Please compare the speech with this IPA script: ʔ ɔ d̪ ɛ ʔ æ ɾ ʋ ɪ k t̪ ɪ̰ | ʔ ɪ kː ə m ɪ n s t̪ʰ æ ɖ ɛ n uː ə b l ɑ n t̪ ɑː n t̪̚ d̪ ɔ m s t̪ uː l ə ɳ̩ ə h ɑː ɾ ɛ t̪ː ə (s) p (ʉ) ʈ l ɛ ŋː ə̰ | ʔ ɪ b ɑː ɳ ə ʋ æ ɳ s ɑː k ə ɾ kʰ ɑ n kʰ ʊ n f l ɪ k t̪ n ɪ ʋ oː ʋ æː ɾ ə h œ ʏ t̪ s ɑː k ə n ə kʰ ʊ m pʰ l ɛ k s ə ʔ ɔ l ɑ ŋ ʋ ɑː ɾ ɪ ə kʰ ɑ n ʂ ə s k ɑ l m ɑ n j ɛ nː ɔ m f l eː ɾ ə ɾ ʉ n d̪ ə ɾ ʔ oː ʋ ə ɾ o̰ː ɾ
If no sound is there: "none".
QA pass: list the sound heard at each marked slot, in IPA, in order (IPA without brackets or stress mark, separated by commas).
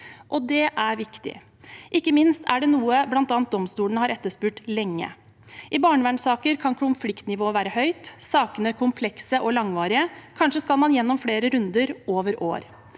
ʂ, ʉː